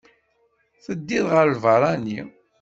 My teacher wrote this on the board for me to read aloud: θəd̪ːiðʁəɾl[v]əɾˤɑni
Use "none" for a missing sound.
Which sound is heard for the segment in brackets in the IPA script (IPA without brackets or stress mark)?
v